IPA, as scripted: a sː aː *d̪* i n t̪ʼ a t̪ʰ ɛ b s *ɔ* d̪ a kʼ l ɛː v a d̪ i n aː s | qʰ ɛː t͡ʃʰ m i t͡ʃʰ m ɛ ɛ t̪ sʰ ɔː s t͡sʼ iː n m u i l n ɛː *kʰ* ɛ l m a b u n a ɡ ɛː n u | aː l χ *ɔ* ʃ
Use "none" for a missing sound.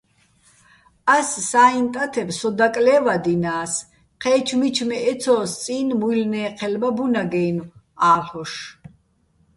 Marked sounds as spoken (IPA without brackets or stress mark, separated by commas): none, ɔ, qʰ, ɔ